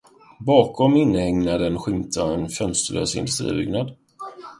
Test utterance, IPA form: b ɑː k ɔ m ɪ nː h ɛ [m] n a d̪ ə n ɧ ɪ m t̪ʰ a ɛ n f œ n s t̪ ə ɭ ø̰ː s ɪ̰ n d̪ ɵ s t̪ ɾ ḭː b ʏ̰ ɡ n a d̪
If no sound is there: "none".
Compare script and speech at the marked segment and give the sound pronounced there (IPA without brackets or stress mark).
ŋ